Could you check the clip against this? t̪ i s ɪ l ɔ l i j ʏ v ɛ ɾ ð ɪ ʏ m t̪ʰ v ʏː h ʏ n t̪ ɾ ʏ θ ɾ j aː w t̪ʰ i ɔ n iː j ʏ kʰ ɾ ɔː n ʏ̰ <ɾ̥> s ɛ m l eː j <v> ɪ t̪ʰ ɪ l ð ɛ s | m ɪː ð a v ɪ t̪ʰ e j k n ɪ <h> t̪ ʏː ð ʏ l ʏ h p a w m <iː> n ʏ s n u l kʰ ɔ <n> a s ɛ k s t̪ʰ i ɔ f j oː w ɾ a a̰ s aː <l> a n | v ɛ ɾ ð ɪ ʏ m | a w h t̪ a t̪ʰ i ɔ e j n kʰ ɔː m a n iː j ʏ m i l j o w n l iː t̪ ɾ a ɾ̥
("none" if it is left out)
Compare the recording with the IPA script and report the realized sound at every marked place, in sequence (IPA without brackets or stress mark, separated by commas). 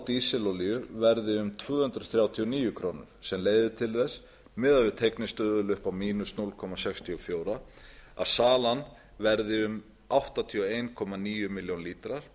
ɾ̥, ð, s, iː, m, l